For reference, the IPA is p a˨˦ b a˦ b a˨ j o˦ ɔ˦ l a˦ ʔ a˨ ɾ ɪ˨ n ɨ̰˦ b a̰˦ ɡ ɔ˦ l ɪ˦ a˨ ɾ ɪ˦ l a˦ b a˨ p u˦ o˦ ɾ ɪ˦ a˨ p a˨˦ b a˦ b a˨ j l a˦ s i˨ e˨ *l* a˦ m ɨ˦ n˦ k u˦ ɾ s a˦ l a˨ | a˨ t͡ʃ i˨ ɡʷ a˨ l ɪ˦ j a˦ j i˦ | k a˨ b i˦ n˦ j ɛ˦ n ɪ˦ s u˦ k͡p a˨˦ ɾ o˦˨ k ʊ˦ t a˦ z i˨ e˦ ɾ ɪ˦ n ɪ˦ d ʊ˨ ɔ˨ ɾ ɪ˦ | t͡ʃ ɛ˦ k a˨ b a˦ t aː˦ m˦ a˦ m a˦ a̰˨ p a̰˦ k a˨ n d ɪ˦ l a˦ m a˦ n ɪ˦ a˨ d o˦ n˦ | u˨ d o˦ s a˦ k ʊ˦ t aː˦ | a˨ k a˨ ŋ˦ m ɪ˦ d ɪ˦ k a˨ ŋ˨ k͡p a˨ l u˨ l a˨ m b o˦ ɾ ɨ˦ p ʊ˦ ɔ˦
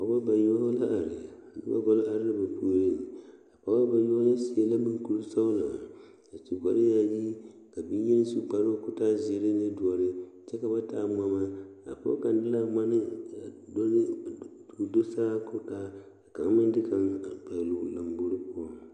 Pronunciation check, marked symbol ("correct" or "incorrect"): correct